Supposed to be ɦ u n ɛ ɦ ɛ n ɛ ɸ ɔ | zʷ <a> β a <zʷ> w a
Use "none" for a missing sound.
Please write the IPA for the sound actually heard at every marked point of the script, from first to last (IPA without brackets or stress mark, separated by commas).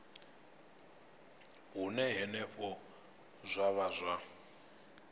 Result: a, zʷ